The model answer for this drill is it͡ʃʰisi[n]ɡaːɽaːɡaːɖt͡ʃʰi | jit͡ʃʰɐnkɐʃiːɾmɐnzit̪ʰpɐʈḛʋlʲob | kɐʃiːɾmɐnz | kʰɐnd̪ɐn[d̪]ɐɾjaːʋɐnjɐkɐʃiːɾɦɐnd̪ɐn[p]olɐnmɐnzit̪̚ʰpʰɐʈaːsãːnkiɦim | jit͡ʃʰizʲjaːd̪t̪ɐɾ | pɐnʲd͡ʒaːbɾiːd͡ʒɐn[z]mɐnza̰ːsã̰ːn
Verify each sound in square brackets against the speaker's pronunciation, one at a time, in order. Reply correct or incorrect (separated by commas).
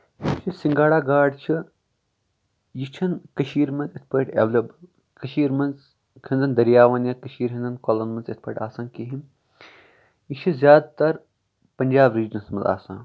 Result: incorrect, correct, incorrect, incorrect